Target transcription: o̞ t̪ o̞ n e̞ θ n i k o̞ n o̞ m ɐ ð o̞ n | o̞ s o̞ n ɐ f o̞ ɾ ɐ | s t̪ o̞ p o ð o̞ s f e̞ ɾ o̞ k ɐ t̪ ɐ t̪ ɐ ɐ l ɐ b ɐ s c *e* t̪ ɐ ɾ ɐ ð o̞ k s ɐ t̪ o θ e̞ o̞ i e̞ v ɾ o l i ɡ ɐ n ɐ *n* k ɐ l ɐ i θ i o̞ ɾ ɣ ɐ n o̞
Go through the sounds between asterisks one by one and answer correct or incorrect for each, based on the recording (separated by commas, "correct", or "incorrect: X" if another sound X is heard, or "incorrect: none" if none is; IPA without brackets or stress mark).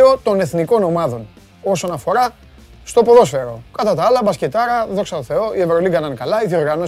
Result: correct, correct